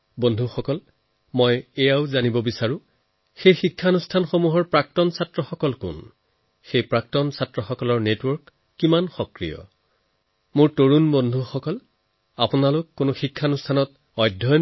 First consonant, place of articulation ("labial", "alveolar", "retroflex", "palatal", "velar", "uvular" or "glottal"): labial